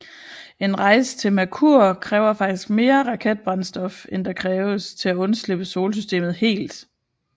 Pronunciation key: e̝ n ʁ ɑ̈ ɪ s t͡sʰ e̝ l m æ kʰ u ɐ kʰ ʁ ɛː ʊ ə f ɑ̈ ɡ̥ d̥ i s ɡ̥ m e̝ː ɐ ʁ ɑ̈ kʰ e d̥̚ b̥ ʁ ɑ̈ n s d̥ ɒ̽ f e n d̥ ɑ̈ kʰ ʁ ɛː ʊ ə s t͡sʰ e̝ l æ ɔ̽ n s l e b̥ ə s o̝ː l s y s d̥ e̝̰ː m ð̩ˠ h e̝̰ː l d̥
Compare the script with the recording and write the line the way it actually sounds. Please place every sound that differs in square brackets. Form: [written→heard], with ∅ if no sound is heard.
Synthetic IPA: e̝ n ʁ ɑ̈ ɪ s t͡sʰ e̝ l m æ kʰ u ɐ kʰ ʁ ɛː ʊ [ə→ɐ] f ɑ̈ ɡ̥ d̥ i s ɡ̥ m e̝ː ɐ ʁ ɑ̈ kʰ e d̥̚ b̥ ʁ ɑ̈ n s d̥ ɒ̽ f e n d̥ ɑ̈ kʰ ʁ ɛː ʊ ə s t͡sʰ e̝ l æ ɔ̽ n s l e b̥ ə s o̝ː l s y s d̥ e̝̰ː m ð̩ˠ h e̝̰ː l d̥

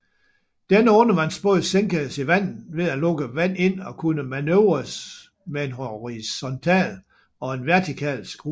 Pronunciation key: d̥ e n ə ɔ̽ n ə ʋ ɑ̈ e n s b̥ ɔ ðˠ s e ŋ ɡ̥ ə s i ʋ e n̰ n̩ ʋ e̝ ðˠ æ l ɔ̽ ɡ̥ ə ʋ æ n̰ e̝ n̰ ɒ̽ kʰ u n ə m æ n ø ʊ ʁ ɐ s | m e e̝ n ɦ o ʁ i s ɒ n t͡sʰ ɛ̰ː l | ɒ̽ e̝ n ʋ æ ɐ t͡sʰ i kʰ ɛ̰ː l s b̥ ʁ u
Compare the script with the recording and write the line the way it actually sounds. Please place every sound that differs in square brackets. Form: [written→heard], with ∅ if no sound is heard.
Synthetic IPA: d̥ e n ə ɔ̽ n ə ʋ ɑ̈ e n s b̥ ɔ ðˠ s e ŋ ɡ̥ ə s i ʋ [e→æ] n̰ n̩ ʋ e̝ ðˠ æ l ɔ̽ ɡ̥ ə ʋ æ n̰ e̝ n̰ ɒ̽ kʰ u n ə m æ n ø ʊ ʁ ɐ s | m e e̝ n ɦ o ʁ i s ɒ n t͡sʰ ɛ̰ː l | ɒ̽ e̝ n ʋ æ ɐ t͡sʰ i kʰ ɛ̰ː l s [b̥→ɡ̥] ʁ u

